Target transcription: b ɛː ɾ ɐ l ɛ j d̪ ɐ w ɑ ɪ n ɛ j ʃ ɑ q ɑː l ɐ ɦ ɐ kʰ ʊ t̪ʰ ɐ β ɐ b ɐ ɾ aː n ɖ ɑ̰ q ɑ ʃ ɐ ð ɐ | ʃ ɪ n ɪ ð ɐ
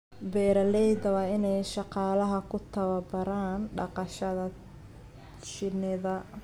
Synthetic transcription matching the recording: b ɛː ɾ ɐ l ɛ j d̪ ɐ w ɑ ɪ n ɛ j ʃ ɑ q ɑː l ɐ ɦ ɐ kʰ ʊ t̪ʰ ɐ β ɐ b ɐ ɾ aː n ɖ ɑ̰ q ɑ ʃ ɐ ð ɐ | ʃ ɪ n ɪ ð ɐ